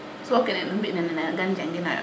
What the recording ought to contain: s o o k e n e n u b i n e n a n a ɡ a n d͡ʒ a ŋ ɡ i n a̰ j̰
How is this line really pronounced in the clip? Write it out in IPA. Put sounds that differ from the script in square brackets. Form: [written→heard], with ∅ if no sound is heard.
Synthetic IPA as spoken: s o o k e n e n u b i n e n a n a ɡ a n d͡ʒ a ŋ ɡ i n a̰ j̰